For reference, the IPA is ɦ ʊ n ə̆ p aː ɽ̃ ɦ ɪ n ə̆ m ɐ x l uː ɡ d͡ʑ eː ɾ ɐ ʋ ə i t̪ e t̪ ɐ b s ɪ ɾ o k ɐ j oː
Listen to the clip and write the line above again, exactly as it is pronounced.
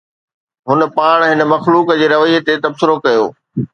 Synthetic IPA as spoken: ɦ ʊ n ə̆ p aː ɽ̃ ɦ ɪ n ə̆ m ɐ x l uː k d͡ʑ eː ɾ ɐ ʋ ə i t̪ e t̪ ɐ b s ɪ ɾ o k ɐ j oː